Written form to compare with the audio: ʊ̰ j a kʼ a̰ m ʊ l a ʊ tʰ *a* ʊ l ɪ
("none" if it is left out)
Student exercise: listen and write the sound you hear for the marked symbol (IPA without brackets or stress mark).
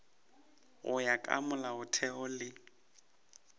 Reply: ɛ